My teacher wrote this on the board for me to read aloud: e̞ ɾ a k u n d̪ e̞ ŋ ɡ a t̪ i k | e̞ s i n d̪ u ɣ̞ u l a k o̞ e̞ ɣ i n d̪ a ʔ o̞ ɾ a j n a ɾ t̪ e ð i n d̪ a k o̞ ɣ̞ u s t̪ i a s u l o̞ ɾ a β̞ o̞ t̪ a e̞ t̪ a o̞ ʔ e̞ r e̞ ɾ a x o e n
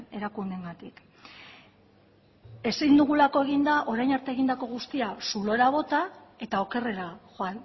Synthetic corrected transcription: e̞ ɾ a k u n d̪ e̞ ŋ ɡ a t̪ i k | e̞ s i n d̪ u ɣ̞ u l a k o̞ e̞ ɣ i n d̪ a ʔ o̞ ɾ a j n a ɾ t̪ e ɣ i n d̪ a k o̞ ɣ̞ u s t̪ i a s u l o̞ ɾ a β̞ o̞ t̪ a e̞ t̪ a o̞ k e̞ r e̞ ɾ a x o a n